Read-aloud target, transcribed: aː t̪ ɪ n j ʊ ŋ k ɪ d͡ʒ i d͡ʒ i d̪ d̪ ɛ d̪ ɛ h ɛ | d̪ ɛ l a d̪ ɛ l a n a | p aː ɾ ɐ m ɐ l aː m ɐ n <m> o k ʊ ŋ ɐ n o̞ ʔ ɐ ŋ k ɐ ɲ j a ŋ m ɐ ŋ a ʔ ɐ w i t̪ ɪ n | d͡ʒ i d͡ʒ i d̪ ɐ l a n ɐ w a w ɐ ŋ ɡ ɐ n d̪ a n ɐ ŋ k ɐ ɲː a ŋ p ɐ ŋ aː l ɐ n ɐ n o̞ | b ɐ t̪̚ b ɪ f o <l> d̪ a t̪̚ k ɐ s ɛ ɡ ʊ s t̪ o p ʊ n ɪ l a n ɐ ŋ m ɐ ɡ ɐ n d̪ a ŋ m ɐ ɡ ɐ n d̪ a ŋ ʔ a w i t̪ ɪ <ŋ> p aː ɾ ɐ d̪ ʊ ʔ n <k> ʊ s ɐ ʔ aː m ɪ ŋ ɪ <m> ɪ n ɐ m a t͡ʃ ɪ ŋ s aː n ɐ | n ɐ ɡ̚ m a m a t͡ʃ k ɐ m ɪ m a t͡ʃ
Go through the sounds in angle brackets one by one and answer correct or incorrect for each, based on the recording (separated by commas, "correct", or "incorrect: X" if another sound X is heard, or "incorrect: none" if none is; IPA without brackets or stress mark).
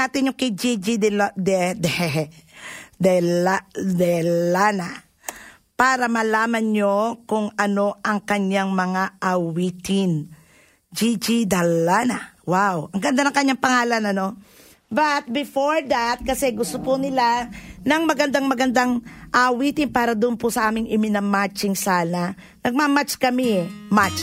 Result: incorrect: ɲ, incorrect: ɹ, incorrect: n, incorrect: p, correct